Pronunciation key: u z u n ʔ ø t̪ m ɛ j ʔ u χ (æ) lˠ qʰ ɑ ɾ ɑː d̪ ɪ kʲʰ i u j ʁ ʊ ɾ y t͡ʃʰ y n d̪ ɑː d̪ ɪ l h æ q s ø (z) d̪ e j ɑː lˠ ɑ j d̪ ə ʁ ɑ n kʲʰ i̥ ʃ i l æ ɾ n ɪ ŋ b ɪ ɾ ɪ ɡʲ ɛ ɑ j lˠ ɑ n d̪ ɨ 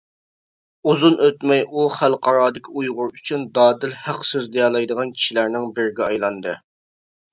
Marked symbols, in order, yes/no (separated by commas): yes, yes